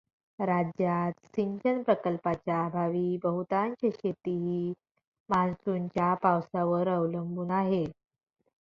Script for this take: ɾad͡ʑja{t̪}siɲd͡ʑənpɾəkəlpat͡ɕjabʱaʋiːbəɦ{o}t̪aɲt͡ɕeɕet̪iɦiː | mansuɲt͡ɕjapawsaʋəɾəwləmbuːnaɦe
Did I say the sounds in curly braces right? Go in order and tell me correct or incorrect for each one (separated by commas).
correct, incorrect